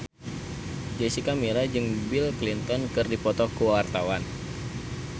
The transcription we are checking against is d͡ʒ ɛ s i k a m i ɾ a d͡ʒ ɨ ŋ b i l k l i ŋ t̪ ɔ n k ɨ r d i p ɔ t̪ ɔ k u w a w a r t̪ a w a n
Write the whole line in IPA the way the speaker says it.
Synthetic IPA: d͡ʒ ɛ s i k a m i ɾ a d͡ʒ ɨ ŋ b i l k l i n t̪ ɔ n k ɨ r d i p ɔ t̪ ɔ k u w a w a r t̪ a w a n